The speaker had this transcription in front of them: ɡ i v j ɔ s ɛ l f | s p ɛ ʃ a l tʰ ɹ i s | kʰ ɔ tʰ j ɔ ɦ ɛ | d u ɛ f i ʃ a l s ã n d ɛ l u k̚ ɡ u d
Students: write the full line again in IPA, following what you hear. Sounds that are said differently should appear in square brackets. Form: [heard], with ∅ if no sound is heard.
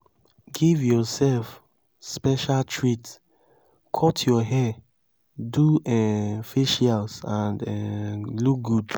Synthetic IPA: ɡ i v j ɔ s ɛ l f | s p ɛ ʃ a l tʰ ɹ i [t] | kʰ ɔ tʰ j ɔ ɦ ɛ | d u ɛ f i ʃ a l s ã n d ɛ l u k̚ ɡ u d